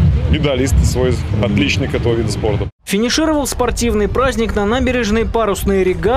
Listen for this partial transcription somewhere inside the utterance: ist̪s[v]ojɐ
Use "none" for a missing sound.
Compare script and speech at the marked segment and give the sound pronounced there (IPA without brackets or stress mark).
v